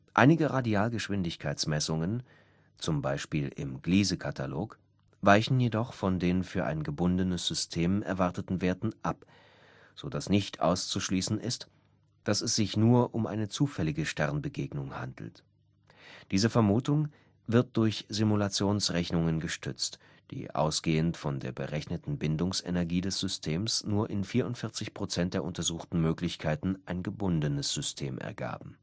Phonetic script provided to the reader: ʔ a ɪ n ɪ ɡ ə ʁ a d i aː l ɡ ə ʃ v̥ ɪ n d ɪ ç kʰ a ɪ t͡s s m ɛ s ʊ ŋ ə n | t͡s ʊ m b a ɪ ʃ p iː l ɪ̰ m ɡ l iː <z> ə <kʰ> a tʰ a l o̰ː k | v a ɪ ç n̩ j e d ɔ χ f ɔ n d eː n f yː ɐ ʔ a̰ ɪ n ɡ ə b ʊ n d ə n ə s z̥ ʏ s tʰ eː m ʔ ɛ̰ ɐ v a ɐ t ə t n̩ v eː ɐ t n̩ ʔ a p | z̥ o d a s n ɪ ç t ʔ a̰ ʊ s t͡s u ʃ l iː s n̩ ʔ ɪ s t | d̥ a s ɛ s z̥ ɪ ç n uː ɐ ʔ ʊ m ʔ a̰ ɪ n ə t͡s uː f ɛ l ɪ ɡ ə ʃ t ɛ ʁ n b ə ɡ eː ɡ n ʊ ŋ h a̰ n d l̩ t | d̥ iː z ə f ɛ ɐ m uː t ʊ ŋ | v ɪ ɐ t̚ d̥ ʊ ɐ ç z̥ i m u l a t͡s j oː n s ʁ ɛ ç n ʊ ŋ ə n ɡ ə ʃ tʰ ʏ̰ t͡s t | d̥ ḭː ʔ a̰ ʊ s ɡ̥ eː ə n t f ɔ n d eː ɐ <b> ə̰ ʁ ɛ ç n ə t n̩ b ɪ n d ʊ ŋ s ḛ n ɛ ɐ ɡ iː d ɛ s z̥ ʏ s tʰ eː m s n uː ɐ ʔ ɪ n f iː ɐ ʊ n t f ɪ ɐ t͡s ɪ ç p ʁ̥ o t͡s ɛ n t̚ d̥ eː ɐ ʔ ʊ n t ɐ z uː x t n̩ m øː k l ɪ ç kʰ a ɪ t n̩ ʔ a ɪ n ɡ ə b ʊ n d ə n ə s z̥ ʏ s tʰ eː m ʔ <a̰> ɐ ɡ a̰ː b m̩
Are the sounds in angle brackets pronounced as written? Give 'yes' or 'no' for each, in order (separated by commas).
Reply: yes, yes, yes, no